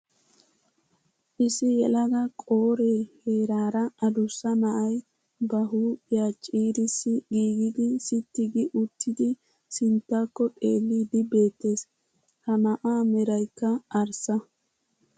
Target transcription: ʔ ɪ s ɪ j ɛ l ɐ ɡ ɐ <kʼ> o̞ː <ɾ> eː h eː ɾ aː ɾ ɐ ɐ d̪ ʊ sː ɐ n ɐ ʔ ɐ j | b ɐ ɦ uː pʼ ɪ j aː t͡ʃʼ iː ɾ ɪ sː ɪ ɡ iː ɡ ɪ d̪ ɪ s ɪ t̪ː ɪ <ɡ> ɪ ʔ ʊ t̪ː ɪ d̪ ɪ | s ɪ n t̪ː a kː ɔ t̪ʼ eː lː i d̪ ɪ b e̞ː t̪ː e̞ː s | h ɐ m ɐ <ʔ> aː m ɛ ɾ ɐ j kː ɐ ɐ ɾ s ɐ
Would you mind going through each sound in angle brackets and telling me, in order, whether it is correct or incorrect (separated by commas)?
correct, correct, correct, correct